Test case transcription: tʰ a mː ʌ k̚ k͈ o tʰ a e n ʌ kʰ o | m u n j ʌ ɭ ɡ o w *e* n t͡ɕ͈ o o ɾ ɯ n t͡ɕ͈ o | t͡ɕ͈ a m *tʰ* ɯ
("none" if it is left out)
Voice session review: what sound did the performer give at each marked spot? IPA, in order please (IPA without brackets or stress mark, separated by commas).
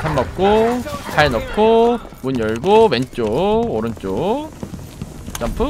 e, pʰ